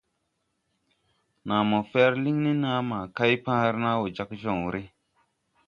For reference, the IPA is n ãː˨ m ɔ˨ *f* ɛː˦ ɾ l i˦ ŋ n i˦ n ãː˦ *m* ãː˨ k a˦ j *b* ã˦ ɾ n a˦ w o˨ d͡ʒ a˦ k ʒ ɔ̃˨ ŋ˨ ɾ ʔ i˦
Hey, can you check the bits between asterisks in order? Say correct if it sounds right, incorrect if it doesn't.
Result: correct, correct, incorrect: p

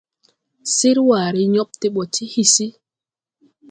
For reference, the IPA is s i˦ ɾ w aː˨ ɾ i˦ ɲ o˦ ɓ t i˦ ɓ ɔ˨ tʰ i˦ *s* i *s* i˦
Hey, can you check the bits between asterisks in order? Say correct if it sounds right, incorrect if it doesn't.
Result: incorrect: h, correct

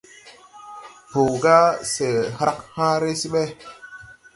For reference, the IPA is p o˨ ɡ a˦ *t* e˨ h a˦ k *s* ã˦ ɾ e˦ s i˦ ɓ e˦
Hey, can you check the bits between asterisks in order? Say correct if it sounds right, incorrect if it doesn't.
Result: incorrect: s, incorrect: h

